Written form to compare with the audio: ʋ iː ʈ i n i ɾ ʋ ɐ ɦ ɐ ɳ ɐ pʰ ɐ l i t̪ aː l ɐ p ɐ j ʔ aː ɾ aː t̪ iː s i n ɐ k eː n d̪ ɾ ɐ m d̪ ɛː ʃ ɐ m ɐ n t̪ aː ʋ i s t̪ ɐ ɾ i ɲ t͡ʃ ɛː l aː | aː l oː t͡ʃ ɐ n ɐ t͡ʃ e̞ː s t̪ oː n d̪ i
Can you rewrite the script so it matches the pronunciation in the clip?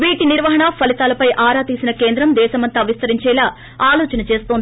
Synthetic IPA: ʋ iː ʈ i n i ɾ ʋ ɐ ɦ ɐ ɳ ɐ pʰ ɐ l i t̪ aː l ɐ p ɐ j ʔ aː ɾ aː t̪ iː s i n ɐ k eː n d̪ ɾ ɐ m d̪ ɛː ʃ ɐ m ɐ n t̪ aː ʋ i s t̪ ɐ ɾ i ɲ t͡ʃ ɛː l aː | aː l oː t͡ʃ ɐ n ɐ t͡ʃ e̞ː s t̪ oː n d̪ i